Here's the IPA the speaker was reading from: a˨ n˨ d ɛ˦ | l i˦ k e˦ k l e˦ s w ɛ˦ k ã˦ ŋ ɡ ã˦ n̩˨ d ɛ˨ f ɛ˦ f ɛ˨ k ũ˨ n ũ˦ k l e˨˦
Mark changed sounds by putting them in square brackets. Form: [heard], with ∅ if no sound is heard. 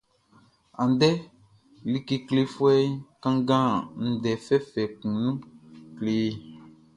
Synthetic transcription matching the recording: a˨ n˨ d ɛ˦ | l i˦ k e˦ k l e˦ [f] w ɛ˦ k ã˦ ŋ ɡ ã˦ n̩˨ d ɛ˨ f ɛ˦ f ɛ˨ k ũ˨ n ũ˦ k l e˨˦